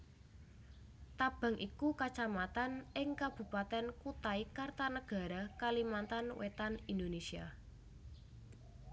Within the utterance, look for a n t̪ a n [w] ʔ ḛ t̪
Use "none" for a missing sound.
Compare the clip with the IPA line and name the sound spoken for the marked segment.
w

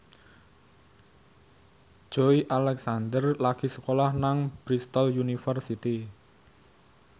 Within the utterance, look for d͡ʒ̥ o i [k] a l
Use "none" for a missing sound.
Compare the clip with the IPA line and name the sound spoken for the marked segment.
ʔ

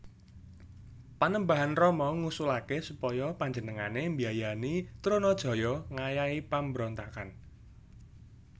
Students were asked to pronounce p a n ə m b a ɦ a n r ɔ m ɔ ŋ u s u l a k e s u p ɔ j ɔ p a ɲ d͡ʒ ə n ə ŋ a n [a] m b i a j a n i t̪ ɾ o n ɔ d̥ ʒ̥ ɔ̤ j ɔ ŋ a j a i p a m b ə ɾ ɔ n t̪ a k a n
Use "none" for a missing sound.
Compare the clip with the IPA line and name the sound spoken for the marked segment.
e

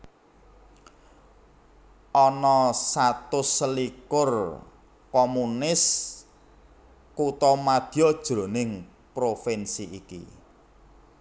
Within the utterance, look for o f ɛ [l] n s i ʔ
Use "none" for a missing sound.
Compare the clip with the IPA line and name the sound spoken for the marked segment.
none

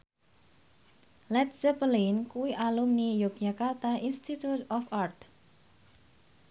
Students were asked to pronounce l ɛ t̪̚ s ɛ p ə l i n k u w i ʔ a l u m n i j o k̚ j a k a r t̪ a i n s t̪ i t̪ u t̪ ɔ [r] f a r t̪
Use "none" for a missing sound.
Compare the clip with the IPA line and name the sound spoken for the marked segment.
none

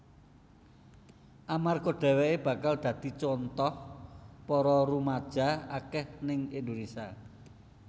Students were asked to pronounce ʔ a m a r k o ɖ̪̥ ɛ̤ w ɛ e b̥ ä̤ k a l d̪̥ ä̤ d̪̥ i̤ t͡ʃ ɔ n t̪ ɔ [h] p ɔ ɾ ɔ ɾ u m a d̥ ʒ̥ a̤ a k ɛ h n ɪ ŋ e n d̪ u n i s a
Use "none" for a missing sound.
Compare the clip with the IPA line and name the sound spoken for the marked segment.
h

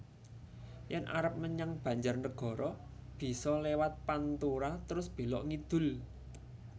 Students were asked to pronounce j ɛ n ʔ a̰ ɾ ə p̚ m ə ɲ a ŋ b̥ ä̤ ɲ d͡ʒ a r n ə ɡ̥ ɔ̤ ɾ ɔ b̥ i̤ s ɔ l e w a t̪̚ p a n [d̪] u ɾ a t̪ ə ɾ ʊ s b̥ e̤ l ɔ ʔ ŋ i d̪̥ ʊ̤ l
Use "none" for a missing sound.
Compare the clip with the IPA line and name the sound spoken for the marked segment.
t̪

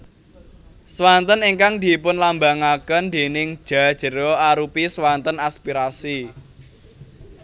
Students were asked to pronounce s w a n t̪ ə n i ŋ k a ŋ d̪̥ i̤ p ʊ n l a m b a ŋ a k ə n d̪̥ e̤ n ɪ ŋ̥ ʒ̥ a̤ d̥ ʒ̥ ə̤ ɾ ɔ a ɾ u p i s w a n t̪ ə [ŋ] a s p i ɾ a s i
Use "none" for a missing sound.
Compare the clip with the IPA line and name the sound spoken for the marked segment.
n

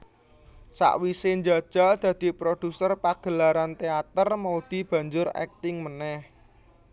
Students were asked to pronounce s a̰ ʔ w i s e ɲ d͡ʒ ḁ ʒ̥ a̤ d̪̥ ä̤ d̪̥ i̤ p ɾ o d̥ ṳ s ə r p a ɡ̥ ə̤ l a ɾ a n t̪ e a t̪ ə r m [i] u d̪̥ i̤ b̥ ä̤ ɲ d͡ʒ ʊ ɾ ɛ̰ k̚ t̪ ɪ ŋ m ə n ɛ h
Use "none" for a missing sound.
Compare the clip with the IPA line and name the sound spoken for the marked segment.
a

